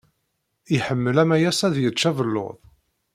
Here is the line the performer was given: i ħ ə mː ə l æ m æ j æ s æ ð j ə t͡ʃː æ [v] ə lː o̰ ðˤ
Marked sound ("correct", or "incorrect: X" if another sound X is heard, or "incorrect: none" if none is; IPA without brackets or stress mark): correct